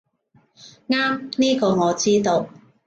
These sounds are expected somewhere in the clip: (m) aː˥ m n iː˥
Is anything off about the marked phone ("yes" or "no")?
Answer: yes